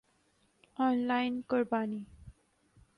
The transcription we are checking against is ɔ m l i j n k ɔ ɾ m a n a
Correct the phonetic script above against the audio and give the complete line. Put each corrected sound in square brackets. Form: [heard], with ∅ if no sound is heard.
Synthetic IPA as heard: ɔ [n] l [a] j n k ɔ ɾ [b] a n [i]